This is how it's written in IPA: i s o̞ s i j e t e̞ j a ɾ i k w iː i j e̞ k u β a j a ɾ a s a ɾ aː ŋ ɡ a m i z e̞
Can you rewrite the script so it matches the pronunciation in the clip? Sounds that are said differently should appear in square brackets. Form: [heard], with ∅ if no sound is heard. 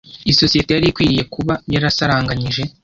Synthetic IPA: i s o̞ s i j e t e̞ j a ɾ i k w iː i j e̞ k u β a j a ɾ a s a ɾ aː ŋ ɡ a [ɲ] i [ʒ] e̞